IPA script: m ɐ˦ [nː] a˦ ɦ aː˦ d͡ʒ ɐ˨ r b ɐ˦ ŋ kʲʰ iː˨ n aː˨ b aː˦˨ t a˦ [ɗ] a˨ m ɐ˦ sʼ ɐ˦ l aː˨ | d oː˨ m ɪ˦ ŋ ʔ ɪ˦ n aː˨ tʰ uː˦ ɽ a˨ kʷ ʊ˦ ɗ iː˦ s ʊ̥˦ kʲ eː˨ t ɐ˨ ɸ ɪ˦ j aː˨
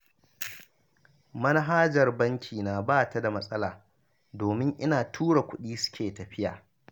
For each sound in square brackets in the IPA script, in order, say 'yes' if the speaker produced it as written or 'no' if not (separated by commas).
no, no